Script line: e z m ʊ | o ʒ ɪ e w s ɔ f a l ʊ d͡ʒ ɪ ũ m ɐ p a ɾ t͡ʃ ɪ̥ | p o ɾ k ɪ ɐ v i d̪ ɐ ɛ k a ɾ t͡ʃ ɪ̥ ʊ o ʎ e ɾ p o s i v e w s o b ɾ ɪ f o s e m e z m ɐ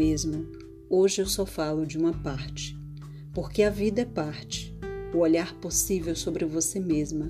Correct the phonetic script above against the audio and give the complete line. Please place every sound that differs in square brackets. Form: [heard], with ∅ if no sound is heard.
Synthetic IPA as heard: e z m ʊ | o ʒ ɪ e w s ɔ f a l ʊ d͡ʒ ɪ ũ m ɐ p a ɾ t͡ʃ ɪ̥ | p o ɾ k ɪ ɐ v i d̪ ɐ ɛ [p] a ɾ t͡ʃ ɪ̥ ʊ o ʎ [a] ɾ p o s i v e w s o b ɾ ɪ [v] o s e m e z m ɐ